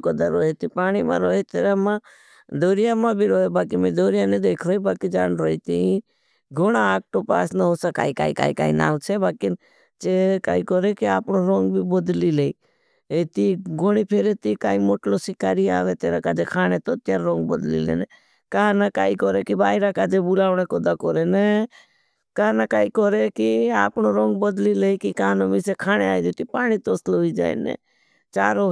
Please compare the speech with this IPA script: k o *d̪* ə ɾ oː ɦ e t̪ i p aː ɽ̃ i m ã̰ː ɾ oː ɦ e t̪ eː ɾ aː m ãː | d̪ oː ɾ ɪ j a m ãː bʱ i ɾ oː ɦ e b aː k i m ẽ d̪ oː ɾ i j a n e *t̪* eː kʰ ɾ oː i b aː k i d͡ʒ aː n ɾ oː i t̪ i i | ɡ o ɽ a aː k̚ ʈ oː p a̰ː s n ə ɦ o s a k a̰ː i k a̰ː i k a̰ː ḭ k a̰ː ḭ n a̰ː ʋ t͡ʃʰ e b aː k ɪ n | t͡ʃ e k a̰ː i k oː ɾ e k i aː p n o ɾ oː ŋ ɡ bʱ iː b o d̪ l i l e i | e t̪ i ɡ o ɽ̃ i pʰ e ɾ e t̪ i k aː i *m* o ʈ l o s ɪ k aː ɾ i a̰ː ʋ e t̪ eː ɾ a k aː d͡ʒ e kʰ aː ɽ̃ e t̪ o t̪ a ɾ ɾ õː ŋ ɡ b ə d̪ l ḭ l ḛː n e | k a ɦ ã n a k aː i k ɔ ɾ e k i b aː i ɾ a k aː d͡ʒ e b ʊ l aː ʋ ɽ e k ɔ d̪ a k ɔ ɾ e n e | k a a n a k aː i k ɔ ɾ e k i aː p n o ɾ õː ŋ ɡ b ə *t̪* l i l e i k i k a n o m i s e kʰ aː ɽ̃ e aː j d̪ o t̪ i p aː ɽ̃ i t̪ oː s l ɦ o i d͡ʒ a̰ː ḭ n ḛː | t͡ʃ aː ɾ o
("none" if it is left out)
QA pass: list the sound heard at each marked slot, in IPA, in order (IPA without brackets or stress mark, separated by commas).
d̪, d̪, m, d̪